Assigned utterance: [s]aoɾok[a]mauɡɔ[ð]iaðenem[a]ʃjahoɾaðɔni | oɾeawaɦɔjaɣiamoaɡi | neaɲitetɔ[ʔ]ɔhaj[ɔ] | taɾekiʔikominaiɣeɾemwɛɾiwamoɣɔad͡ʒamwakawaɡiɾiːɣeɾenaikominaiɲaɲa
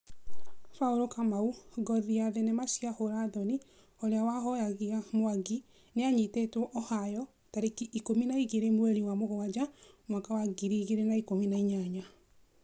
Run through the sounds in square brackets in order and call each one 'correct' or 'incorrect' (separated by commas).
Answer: incorrect, correct, correct, correct, correct, correct